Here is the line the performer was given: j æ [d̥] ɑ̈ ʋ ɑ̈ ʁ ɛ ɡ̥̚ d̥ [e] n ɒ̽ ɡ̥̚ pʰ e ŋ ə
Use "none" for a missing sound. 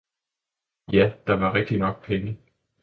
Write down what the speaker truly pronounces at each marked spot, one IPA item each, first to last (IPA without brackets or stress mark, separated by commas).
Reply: d̥, i